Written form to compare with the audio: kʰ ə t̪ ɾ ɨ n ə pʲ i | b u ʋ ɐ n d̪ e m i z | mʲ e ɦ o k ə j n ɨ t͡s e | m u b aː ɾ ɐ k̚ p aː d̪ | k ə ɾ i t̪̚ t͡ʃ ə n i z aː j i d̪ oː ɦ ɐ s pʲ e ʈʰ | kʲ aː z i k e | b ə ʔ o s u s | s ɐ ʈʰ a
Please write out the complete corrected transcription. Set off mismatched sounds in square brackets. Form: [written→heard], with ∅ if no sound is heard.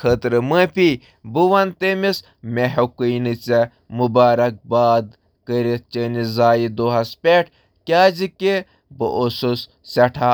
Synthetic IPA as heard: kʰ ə t̪ ɾ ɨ [n→m] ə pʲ i | b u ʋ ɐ n [d̪→t̪] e m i [z→s] | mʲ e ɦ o k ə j n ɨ t͡s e | m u b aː ɾ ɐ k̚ [p→b] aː d̪ | k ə ɾ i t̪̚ t͡ʃ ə n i z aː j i d̪ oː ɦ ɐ s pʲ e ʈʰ | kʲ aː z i k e | b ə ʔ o s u s | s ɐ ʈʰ a